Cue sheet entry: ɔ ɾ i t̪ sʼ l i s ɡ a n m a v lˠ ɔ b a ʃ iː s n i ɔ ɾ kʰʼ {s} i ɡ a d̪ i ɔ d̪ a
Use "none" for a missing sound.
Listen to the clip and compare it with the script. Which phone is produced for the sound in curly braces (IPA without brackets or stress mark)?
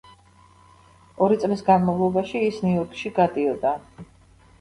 ʃ